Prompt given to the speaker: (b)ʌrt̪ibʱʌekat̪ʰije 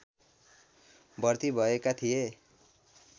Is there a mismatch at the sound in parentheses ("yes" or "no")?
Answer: no